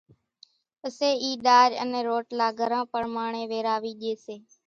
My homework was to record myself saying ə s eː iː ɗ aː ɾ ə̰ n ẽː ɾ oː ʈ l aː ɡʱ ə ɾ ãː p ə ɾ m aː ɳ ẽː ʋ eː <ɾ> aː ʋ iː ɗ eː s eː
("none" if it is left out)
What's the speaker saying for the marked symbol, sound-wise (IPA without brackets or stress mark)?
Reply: ɾ